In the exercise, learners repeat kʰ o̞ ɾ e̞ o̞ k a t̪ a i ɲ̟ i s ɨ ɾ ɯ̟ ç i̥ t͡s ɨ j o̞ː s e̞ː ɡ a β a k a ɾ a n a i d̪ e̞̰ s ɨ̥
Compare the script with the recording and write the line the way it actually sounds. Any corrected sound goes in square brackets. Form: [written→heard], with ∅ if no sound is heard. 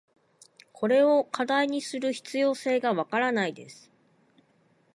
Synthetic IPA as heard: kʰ o̞ ɾ e̞ o̞ k a [t̪→d̪] a i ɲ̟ i s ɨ ɾ ɯ̟ ç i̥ t͡s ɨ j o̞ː s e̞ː ɡ a β a k a ɾ a n a i d̪ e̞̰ s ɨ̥